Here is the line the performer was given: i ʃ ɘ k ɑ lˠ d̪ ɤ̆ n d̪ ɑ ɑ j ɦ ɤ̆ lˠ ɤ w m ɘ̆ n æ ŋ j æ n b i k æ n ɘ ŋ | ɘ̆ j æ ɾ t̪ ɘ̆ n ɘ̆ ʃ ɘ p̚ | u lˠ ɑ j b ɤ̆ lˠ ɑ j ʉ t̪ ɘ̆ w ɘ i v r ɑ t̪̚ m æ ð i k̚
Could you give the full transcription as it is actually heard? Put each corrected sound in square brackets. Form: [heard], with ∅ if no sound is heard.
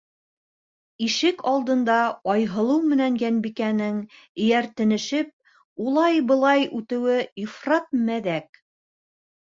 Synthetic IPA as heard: i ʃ ɘ k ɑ lˠ d̪ ɤ̆ n d̪ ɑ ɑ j ɦ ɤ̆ lˠ ɤ w m ɘ̆ n æ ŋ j æ n b i k æ n ɘ ŋ | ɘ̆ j æ ɾ t̪ ɘ̆ n ɘ̆ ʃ ɘ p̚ | u lˠ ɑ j b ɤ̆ lˠ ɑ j ʉ t̪ ɘ̆ w ɘ i [f] r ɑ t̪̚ m æ ð [æ] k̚